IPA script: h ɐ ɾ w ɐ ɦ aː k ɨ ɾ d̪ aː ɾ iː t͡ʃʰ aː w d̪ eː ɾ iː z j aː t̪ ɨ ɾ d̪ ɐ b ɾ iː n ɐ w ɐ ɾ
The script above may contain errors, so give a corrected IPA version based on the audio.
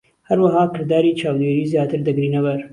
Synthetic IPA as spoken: h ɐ ɾ w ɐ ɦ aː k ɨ ɾ d̪ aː ɾ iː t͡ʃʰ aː w d̪ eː ɾ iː z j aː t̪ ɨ ɾ d̪ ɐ ɡ ɾ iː n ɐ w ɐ ɾ